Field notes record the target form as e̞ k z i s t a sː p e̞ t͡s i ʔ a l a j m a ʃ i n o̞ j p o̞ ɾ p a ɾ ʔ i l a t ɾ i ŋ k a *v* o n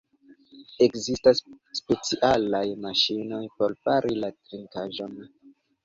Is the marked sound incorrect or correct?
incorrect